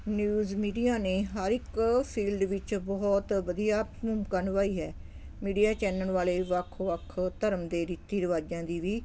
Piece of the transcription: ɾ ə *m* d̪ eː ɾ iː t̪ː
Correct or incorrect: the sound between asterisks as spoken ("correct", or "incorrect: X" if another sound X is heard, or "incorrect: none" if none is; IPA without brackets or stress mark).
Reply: correct